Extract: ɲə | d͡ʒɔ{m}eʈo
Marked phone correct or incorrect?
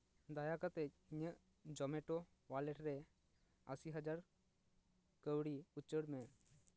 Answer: correct